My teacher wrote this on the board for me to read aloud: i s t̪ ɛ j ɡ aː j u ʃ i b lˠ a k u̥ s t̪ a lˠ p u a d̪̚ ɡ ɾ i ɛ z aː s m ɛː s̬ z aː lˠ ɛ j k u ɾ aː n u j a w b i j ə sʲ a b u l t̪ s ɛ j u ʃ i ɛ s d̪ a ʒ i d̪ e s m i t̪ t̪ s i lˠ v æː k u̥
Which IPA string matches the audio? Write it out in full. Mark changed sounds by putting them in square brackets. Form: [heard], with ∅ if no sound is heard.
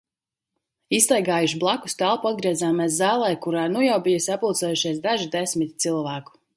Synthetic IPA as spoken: i s t̪ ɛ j ɡ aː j u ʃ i b lˠ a k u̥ s t̪ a lˠ p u a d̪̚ ɡ ɾ i ɛ z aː [∅] m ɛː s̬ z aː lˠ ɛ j k u ɾ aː n u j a w b i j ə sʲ a [p] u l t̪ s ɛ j u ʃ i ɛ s d̪ a ʒ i d̪ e s m i t̪ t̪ s i lˠ v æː k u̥